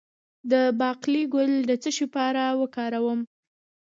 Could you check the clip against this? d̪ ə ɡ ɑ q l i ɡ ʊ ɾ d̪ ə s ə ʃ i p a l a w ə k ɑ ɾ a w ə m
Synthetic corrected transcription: d̪ ə b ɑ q l i ɡ ʊ l d̪ ə t͡s ə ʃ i p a ɾ a w ə k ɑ ɾ a w ə m

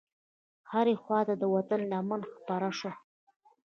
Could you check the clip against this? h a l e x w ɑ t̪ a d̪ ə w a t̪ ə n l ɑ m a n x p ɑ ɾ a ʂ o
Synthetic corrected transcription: h a ɾ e x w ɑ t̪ a d̪ ə w a t̪ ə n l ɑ m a n x p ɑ ɾ a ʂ o

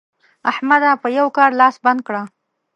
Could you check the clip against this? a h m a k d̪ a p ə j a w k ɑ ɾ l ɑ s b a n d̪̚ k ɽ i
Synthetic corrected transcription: a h m a d̪ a p ə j a w k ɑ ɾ l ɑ s b a n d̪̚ k ɽ a

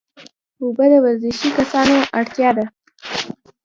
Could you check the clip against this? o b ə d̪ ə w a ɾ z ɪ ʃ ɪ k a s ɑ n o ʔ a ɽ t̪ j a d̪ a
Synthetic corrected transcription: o b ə d̪ ə w a ɾ z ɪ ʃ i k a s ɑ n o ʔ a ɽ t̪ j ɑ d̪ a

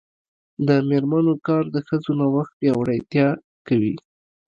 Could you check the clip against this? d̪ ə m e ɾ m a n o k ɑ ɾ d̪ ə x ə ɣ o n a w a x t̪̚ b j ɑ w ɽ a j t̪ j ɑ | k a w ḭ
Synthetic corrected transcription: d̪ ə m e ɾ m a n o k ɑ ɾ d̪ ə x ə z o n a w a x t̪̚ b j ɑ w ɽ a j t̪ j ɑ | k a w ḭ

